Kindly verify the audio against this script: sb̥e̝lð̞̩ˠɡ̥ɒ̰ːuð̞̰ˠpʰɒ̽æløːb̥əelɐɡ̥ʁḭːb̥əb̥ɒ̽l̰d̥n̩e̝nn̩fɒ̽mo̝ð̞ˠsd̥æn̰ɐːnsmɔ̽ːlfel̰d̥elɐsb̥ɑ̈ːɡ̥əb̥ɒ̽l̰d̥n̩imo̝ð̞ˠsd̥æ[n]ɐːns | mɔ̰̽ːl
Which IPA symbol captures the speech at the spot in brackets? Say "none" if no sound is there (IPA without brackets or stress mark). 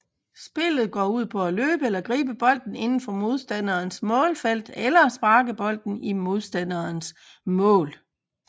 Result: n